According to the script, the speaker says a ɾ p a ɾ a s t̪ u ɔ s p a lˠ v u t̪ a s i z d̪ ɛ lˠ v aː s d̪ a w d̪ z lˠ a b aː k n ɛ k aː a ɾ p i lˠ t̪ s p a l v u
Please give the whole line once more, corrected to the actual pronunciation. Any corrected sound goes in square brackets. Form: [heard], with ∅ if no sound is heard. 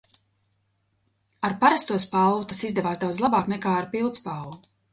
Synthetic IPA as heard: a ɾ p a ɾ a s t̪ u ɔ s p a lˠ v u t̪ a s i z d̪ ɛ [∅] v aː s d̪ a w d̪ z lˠ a b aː k n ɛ k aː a ɾ p i lˠ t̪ s p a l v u

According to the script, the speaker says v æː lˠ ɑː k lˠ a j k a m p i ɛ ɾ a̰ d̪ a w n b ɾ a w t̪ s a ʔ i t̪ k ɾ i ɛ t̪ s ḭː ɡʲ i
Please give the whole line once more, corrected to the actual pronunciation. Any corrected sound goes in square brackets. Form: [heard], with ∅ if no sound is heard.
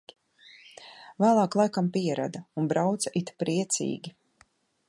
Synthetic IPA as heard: v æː lˠ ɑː k lˠ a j k a m p i ɛ ɾ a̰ d̪ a [u] n b ɾ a w t̪ s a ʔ i t̪ [p] ɾ i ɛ t̪ s ḭː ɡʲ i

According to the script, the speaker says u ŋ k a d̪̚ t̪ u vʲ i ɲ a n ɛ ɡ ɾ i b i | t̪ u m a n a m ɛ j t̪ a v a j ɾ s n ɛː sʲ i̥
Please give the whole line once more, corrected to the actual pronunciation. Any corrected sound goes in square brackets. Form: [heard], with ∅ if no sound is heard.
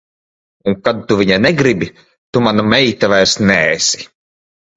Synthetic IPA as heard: u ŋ k a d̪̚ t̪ u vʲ i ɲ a n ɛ ɡ ɾ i b i | t̪ u m a n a m ɛ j t̪ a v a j ɾ s n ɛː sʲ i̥

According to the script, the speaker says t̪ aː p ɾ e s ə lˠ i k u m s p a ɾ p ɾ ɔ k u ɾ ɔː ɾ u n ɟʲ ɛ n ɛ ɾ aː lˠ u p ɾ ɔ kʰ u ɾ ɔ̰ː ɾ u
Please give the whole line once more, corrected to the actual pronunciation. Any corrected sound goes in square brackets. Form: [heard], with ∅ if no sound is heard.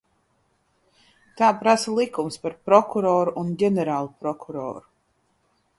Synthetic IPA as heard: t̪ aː p ɾ [a] s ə lˠ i k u m s p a ɾ p ɾ ɔ k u ɾ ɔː ɾ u n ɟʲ ɛ n ɛ ɾ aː lˠ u p ɾ ɔ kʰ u ɾ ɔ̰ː ɾ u

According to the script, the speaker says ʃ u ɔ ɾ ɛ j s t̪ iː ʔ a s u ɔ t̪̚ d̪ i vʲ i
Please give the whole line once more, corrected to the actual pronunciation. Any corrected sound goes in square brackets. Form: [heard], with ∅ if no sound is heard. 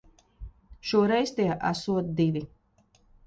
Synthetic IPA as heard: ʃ u ɔ ɾ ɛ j s t̪ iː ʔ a s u ɔ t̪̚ d̪ i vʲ i

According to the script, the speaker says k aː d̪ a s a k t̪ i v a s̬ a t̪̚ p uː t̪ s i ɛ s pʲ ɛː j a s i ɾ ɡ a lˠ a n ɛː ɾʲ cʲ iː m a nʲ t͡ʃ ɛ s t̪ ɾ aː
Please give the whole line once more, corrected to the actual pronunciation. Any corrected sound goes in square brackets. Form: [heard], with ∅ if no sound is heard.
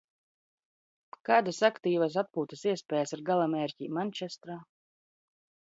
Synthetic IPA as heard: k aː d̪ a s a k t̪ [iː] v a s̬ a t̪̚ p uː t̪ s i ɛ s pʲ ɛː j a s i ɾ ɡ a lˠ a [m] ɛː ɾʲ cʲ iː m a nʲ t͡ʃ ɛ s t̪ ɾ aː

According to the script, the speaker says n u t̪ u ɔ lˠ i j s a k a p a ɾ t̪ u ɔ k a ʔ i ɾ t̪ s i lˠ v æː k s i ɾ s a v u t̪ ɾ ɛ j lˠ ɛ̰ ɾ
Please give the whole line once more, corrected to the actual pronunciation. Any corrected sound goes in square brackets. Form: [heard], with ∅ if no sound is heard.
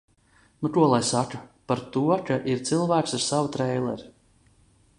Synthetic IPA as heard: n u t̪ u ɔ lˠ [a] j s a k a p a ɾ t̪ u ɔ k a ʔ i ɾ t̪ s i lˠ v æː k s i ɾ s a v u t̪ ɾ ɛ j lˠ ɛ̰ ɾ

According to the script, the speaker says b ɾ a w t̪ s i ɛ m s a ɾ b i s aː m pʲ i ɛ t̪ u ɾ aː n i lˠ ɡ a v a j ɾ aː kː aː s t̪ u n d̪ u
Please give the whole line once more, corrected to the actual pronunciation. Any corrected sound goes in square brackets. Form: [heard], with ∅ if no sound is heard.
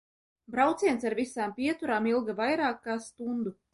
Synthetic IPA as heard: b ɾ a w t̪ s i ɛ [n] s a ɾ [v] i s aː m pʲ i ɛ t̪ u ɾ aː [m] i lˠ ɡ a v a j ɾ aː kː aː s t̪ u n d̪ u

